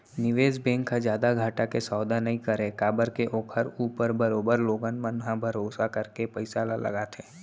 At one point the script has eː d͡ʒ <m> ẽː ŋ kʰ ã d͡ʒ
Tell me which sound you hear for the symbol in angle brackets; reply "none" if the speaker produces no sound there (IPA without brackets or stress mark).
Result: b